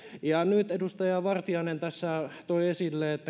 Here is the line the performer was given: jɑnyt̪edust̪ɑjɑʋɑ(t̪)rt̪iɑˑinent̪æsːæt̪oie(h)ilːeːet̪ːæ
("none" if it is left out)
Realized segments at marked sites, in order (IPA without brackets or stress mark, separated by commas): none, s